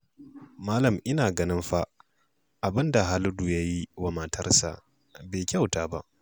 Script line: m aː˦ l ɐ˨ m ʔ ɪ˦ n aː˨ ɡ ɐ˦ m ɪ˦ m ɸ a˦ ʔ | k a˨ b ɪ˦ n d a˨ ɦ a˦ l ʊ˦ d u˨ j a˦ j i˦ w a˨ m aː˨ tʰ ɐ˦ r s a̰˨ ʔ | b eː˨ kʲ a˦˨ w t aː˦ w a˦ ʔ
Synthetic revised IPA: m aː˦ l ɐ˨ m ʔ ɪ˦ n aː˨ ɡ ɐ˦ n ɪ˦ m ɸ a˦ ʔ | ʔ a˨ b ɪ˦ n d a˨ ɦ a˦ l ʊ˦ d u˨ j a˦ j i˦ w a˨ m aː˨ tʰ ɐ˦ r s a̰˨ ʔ | b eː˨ kʲ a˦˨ w t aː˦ b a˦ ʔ